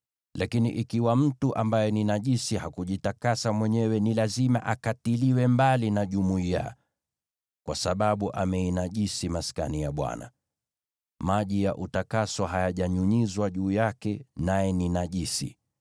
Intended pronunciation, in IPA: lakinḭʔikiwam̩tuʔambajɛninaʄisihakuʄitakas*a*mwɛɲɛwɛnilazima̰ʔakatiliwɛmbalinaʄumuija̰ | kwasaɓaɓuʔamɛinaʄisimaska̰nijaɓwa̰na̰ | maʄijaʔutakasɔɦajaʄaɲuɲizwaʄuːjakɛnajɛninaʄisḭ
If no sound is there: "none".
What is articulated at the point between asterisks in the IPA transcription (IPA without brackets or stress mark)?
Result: a